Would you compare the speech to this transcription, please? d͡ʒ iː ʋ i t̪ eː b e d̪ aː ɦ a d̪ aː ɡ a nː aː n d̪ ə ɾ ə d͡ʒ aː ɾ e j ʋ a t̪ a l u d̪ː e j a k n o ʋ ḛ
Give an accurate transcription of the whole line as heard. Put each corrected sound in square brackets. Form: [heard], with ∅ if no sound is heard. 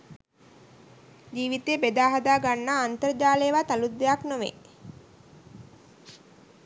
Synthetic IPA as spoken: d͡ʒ iː ʋ i t̪ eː b e d̪ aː ɦ a d̪ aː ɡ a nː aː n [t̪] ə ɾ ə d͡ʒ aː [l] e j ʋ a t̪ a l u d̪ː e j a k n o ʋ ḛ